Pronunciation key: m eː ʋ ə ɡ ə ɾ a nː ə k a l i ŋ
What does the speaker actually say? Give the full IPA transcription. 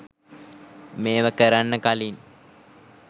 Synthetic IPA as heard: m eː ʋ ə k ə ɾ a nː ə k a l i n